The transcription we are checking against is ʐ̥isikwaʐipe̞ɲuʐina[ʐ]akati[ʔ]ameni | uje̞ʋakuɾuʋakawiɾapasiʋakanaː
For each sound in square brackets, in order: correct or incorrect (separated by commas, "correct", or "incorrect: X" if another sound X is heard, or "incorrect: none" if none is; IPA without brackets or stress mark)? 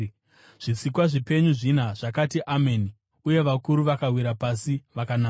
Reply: correct, correct